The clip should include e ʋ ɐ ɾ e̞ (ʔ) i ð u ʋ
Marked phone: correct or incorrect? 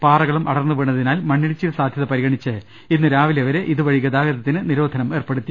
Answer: correct